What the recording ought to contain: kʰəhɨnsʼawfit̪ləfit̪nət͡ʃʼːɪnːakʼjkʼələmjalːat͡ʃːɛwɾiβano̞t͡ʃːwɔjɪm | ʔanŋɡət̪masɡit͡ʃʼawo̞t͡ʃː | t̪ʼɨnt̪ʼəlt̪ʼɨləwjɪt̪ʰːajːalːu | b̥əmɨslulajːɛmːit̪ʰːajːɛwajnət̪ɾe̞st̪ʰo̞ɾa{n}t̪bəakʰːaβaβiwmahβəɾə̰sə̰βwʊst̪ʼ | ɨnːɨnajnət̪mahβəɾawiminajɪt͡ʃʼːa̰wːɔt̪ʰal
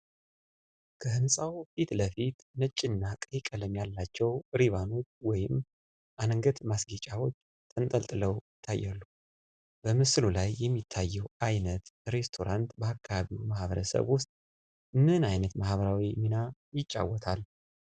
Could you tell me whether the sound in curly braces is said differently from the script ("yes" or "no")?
no